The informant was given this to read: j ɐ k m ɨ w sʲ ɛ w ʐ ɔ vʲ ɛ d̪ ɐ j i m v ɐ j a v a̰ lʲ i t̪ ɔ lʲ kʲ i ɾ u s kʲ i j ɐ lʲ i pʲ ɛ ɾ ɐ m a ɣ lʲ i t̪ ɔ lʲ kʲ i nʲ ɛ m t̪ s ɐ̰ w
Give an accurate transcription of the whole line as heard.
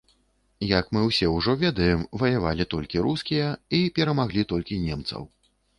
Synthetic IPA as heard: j ɐ k m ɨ w sʲ ɛ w ʐ ɔ vʲ ɛ d̪ ɐ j ɛ m v ɐ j a v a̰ lʲ i t̪ ɔ lʲ kʲ i ɾ u s kʲ i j ɐ i pʲ ɛ ɾ ɐ m a ɣ lʲ i t̪ ɔ lʲ kʲ i nʲ ɛ m t̪ s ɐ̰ w

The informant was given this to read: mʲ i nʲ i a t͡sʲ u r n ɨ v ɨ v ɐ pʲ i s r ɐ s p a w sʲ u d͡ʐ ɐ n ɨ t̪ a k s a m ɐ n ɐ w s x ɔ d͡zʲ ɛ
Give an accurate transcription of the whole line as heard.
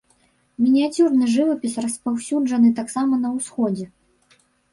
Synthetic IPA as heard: mʲ i nʲ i a t͡sʲ u r n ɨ ʐ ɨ v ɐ pʲ i s r ɐ s p a w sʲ u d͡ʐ ɐ n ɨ t̪ a k s a m ɐ n ɐ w s x ɔ d͡zʲ ɛ

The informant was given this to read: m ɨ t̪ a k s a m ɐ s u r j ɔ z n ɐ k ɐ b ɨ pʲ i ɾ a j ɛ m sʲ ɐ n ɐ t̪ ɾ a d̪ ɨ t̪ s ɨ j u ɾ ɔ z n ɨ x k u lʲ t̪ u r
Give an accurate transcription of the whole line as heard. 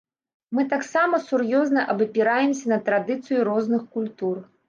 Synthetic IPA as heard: m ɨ t̪ a k s a m ɐ s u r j ɔ z n ɐ ʔ ɐ b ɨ pʲ i ɾ a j ɛ m sʲ ɐ n ɐ t̪ ɾ a d̪ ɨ t̪ s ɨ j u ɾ ɔ z n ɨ x k u lʲ t̪ u r

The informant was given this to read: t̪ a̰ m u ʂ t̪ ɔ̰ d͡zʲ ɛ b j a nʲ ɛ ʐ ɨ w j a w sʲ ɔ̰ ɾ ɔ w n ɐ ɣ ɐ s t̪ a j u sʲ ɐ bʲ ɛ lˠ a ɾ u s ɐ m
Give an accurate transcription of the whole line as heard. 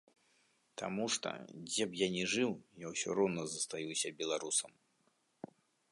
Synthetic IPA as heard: t̪ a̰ m u ʂ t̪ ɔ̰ d͡zʲ ɛ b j a nʲ ɛ ʐ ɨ w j a w sʲ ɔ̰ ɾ ɔ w n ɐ z ɐ s t̪ a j u sʲ ɐ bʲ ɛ lˠ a ɾ u s ɐ m

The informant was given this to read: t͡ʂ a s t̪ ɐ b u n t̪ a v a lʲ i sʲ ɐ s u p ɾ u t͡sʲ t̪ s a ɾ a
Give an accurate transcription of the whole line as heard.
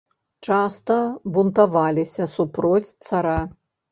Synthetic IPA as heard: t͡ʂ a s t̪ ɐ b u n t̪ a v a lʲ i sʲ ɐ s u p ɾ ɔ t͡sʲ t̪ s a ɾ a

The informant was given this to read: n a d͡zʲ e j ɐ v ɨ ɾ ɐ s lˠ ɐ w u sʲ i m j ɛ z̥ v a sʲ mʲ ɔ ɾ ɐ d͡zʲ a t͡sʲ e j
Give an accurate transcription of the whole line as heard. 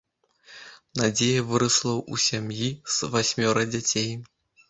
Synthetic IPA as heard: n a d͡zʲ e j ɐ v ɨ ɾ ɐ s lˠ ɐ w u sʲ a m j i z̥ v a sʲ mʲ ɔ ɾ ɐ d͡zʲ a t͡sʲ e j

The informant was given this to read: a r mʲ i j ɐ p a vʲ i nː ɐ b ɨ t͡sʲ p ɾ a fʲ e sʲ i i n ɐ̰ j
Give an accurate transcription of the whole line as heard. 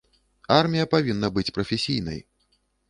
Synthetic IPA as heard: a r mʲ i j ɐ p a vʲ i nː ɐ b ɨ t͡sʲ p ɾ ɐ fʲ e sʲ i j n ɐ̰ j

